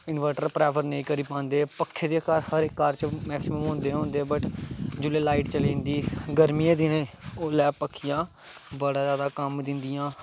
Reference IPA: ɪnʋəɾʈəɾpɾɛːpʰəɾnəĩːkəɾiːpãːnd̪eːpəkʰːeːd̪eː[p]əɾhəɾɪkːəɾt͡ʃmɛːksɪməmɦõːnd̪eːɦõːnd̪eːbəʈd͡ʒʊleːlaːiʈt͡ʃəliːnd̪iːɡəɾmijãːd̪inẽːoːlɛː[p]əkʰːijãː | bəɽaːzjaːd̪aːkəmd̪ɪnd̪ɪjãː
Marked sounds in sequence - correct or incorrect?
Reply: incorrect: k, correct

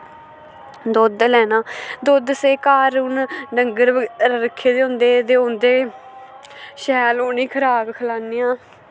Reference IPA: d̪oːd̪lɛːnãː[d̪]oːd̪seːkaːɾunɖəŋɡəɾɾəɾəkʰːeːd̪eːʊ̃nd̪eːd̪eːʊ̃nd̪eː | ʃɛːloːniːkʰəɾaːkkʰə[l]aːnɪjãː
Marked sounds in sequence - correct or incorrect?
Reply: correct, correct

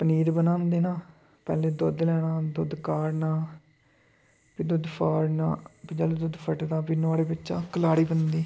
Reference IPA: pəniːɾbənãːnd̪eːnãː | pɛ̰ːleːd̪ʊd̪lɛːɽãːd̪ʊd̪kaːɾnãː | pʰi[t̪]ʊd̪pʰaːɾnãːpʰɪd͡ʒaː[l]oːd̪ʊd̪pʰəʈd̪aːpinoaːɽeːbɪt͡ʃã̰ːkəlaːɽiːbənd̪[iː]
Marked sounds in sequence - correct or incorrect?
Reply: incorrect: d̪, correct, correct

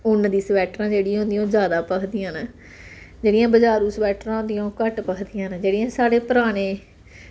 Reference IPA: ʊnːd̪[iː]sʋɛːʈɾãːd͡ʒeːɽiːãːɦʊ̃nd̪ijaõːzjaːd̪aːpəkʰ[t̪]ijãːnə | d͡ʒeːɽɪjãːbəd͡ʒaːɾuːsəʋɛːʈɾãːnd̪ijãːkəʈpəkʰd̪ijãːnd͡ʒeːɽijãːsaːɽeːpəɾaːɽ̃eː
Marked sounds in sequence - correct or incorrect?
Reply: correct, incorrect: d̪

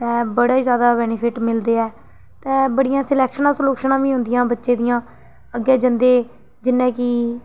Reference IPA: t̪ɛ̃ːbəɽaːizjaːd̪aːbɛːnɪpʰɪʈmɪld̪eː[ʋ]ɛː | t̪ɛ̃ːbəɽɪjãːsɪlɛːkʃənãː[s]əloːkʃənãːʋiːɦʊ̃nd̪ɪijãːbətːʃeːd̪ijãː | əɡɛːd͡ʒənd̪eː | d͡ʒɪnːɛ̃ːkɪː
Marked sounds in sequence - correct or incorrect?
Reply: incorrect: none, correct

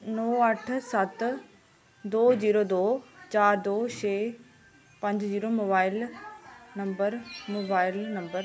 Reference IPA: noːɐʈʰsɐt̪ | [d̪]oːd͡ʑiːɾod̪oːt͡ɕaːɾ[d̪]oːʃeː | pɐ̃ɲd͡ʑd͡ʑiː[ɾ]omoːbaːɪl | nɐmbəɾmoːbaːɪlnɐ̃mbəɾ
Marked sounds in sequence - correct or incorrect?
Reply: correct, correct, correct

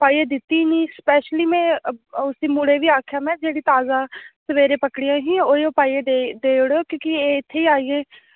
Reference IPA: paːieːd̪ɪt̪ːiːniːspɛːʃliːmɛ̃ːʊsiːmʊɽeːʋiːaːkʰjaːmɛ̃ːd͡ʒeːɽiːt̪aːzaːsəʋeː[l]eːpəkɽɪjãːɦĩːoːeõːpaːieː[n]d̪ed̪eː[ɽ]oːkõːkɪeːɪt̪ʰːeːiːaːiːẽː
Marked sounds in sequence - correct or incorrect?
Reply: incorrect: ɾ, incorrect: none, correct

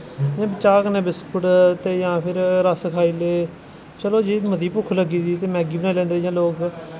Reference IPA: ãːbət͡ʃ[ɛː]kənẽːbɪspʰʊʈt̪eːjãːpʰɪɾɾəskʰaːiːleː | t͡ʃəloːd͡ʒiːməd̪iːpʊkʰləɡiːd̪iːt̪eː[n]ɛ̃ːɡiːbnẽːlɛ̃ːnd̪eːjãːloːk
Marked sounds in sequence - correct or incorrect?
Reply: incorrect: aː, incorrect: m

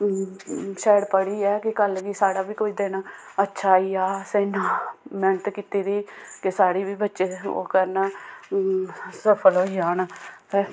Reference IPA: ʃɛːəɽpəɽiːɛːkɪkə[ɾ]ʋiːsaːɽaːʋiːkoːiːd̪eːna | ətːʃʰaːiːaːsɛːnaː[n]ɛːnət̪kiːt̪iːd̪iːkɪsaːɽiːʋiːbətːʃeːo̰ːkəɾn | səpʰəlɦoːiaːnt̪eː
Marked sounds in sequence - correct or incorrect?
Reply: incorrect: l, incorrect: m

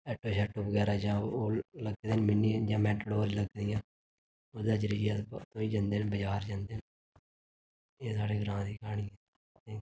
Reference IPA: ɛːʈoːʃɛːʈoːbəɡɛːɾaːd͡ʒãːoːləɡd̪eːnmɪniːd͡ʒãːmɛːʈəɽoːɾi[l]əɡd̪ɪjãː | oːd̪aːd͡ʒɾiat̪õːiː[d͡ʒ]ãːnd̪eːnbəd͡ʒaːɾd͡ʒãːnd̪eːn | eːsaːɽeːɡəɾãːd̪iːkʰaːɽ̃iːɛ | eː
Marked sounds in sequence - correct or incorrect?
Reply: correct, correct

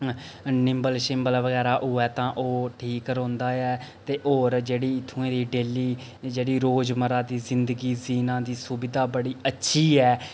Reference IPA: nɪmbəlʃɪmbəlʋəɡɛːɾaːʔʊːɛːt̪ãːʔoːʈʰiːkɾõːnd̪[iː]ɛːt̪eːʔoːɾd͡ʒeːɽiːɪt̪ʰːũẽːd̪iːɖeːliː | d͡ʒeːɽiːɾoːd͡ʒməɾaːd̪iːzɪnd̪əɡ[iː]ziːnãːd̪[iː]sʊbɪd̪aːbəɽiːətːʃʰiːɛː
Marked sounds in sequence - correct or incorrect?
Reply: incorrect: aː, correct, correct

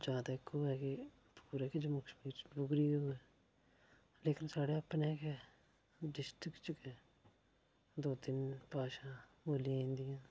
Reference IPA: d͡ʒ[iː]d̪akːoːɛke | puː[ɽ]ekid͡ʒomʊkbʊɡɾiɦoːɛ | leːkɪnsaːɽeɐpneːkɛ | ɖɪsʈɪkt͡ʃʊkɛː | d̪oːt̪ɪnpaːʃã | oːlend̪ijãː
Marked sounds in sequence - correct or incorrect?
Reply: incorrect: aː, incorrect: ɾ

